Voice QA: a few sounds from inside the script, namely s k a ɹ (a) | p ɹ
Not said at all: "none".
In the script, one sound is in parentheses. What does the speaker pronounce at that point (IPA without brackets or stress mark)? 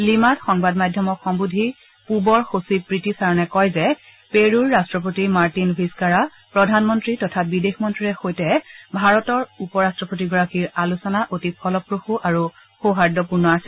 a